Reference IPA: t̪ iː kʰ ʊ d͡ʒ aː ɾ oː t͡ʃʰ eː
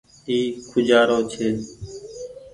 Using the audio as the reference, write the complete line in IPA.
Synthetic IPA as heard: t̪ iː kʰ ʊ d͡ʒ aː ɾ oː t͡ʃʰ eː